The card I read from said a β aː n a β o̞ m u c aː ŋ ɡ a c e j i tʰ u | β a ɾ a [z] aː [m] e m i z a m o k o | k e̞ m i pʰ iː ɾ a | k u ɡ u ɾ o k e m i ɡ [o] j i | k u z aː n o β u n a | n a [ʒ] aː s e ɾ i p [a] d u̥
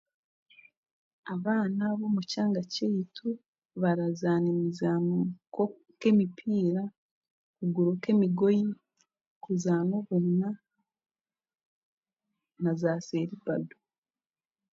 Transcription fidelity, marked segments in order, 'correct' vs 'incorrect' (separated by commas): correct, incorrect, correct, incorrect, correct